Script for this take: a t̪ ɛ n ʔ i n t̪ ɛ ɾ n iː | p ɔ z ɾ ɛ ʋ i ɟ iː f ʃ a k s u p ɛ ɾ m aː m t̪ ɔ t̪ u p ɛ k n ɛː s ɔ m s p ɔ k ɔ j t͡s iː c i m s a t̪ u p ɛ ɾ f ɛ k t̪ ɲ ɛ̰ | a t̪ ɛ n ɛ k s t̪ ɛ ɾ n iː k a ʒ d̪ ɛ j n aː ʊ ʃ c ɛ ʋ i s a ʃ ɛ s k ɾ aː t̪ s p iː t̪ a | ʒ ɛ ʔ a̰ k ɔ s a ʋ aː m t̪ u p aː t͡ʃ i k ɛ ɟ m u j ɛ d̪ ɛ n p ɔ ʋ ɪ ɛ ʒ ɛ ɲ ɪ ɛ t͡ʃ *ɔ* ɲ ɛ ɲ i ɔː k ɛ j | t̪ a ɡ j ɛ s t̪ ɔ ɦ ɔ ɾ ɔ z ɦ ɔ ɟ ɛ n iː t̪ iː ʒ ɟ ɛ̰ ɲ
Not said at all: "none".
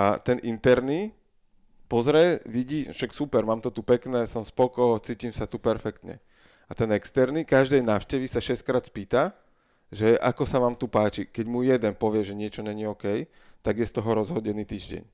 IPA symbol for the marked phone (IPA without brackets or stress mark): ɔ